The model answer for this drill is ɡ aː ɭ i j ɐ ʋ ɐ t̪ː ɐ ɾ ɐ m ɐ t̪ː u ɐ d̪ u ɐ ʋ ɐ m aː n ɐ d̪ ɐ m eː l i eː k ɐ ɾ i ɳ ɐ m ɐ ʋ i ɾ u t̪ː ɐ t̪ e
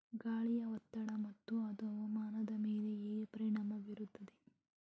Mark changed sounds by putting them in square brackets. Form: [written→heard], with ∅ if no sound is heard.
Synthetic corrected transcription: ɡ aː ɭ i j ɐ ʋ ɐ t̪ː ɐ [ɾ→ɽ] ɐ m ɐ t̪ː u ɐ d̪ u ɐ ʋ ɐ m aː n ɐ d̪ ɐ m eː l [i→e] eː [k→p] ɐ ɾ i ɳ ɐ m ɐ ʋ i ɾ u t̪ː ɐ [t̪→d̪] e